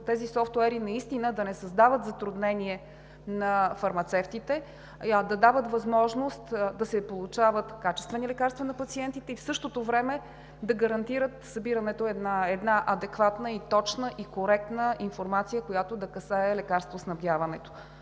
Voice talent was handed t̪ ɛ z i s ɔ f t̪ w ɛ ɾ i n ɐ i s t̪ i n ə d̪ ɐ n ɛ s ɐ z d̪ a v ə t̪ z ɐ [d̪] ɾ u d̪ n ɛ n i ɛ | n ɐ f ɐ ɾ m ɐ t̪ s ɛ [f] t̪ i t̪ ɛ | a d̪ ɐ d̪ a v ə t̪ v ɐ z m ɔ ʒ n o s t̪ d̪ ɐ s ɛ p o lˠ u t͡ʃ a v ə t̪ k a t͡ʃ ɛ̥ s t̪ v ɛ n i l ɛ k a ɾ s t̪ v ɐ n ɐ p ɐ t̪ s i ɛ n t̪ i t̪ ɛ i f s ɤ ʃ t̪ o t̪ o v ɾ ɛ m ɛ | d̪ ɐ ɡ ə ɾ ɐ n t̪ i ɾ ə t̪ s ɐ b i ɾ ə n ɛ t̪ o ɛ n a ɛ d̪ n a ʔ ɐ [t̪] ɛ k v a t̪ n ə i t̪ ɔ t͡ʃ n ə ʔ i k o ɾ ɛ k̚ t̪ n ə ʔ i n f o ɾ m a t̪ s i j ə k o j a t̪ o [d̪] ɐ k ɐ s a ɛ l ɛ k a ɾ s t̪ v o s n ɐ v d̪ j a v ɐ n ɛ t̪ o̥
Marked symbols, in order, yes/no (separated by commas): no, yes, no, yes